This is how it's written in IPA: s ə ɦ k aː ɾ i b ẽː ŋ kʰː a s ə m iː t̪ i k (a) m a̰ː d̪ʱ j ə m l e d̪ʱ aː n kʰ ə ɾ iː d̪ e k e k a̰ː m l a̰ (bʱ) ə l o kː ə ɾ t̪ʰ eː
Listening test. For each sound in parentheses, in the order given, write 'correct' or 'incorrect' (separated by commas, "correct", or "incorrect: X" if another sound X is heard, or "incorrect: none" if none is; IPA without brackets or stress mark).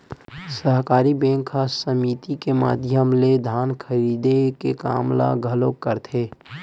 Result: incorrect: e, incorrect: ɡʱ